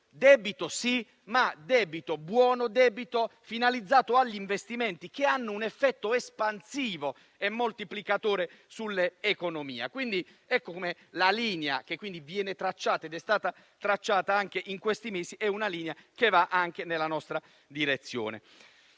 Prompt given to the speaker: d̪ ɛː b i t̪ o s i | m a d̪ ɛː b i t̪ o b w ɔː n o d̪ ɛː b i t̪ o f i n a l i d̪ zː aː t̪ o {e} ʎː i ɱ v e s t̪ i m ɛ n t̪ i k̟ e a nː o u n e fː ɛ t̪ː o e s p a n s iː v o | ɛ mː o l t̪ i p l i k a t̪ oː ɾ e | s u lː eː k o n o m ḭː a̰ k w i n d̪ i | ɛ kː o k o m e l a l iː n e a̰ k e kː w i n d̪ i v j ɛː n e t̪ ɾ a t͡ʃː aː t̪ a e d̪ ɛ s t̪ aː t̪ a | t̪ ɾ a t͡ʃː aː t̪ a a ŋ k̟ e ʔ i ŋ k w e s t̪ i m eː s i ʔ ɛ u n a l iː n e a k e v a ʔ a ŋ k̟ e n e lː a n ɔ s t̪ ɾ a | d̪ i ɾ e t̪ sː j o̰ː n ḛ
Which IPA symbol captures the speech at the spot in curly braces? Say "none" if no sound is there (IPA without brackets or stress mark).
a